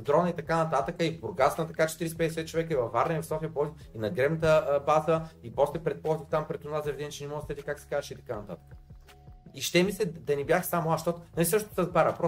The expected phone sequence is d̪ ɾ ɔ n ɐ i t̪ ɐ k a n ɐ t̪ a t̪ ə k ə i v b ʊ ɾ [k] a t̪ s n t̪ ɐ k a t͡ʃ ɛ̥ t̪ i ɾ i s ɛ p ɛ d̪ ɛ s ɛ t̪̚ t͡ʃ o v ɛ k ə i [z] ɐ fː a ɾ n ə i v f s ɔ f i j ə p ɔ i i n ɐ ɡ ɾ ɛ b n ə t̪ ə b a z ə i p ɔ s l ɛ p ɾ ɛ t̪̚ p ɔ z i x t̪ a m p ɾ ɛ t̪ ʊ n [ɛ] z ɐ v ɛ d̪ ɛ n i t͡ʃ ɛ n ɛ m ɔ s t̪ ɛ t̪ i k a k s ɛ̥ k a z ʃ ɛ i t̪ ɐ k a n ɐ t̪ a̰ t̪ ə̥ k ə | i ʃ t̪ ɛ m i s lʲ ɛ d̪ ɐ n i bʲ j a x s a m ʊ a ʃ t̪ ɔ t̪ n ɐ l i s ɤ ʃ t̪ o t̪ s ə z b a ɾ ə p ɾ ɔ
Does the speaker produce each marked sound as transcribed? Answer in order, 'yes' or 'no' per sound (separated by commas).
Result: no, no, no